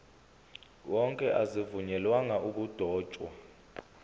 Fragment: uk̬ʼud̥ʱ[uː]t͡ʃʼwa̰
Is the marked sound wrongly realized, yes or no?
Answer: yes